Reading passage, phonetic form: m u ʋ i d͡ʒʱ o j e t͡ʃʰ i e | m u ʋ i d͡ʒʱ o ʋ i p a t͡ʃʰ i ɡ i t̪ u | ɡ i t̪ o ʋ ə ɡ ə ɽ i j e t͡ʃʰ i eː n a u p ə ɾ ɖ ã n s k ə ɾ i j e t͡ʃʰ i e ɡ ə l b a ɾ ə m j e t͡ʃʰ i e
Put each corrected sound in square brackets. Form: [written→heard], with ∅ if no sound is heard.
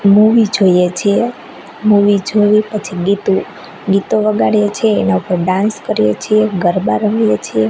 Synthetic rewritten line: m u ʋ i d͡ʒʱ o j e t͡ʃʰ i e | m u ʋ i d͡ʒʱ o ʋ i p [a→ə] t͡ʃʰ i ɡ i t̪ u | ɡ i t̪ o ʋ ə ɡ [ə→a] ɽ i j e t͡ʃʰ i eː n a u p ə ɾ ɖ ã n s k ə ɾ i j e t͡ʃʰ i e ɡ ə [l→ɾ] b a ɾ ə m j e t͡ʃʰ i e